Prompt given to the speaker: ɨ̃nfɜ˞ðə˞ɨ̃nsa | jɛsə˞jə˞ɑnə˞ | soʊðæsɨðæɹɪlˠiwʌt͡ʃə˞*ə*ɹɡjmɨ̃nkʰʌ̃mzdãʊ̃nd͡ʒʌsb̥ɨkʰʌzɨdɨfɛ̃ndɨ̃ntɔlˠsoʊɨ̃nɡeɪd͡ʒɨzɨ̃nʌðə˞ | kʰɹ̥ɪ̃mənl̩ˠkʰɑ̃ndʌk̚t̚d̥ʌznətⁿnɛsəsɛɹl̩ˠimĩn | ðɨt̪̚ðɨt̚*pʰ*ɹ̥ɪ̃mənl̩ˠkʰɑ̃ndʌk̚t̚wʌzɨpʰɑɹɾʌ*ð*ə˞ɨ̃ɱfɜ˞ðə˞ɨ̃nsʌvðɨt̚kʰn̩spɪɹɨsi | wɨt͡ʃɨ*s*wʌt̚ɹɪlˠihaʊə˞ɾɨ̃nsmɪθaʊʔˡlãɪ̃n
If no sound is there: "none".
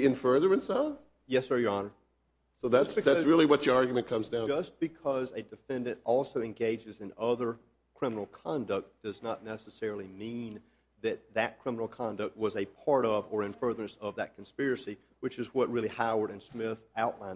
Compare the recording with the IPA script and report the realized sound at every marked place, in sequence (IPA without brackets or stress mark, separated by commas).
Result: ɑ, kʰ, v, z